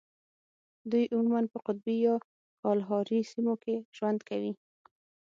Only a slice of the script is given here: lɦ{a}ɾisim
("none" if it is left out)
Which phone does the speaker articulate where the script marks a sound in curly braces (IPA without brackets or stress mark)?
ɑ